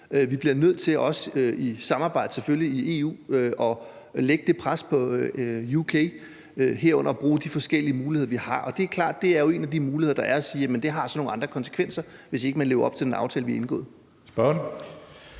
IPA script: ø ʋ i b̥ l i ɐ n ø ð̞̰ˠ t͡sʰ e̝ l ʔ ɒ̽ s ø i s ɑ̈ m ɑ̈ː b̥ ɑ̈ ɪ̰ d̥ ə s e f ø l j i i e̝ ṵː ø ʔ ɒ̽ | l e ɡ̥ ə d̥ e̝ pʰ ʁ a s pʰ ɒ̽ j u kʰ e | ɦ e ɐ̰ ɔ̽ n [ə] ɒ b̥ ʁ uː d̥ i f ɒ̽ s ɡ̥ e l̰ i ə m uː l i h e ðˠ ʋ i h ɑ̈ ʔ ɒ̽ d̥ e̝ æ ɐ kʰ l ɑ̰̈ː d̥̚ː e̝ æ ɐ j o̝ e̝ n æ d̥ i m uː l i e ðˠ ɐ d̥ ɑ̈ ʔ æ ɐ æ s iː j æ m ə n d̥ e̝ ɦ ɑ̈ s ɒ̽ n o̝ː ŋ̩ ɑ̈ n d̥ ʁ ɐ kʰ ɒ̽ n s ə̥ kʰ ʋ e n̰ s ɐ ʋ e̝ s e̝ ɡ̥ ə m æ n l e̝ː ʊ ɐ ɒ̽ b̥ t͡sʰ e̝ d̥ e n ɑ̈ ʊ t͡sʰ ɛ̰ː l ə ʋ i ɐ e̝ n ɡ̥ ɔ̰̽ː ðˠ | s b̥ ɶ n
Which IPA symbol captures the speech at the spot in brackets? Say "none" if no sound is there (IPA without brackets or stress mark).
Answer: ɐ